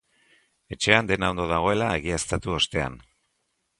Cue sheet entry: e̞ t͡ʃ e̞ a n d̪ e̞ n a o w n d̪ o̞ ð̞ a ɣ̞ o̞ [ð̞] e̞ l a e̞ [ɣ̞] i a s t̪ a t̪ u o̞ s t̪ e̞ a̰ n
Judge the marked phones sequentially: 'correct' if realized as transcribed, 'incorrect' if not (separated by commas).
incorrect, correct